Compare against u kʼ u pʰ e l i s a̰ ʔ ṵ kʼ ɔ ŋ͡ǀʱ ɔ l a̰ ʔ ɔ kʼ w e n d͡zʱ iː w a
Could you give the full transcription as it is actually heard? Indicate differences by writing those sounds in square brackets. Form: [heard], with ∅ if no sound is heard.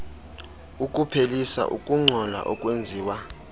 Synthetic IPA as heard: u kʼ u pʰ e l i s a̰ ʔ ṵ kʼ [u] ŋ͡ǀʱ ɔ l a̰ ʔ ɔ kʼ w e n d͡zʱ iː w a